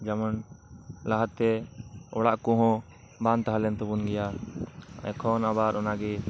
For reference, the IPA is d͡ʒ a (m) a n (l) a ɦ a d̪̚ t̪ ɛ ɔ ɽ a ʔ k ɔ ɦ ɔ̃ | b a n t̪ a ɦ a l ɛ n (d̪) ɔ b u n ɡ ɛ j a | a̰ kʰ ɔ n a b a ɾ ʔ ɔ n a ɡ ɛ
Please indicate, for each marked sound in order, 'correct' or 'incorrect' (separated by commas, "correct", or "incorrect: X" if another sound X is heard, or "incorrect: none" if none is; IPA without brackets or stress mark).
correct, correct, incorrect: t̪